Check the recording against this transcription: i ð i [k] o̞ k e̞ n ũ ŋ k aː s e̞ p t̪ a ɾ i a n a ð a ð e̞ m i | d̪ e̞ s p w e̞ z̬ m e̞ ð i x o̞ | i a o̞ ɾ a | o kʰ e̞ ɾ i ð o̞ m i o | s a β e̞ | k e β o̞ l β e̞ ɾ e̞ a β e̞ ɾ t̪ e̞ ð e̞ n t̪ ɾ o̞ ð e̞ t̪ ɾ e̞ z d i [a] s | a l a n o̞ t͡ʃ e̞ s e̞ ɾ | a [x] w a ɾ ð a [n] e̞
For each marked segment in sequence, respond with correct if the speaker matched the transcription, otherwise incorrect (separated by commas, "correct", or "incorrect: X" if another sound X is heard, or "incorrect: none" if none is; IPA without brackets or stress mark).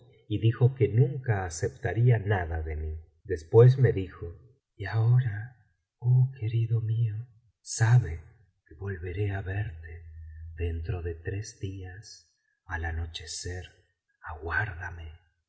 incorrect: x, correct, incorrect: ɣ, incorrect: m